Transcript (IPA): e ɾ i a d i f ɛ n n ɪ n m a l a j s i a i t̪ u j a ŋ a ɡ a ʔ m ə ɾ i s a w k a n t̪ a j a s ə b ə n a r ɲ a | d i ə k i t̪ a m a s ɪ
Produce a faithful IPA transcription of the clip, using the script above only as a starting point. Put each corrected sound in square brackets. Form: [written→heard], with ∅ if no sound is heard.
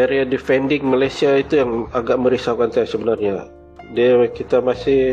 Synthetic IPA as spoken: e ɾ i a d i f ɛ n [n→d] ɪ [n→ŋ] m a l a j s i a i t̪ u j a ŋ a ɡ a ʔ m ə ɾ i s a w k a n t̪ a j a s ə b ə n a r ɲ a | d i [ə→a] k i t̪ a m a s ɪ